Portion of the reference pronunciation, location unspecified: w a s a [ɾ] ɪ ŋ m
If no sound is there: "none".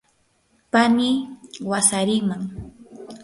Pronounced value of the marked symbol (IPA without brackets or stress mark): ɾ